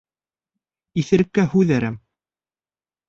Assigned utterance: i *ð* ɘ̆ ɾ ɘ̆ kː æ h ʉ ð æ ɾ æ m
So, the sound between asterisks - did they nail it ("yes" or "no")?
no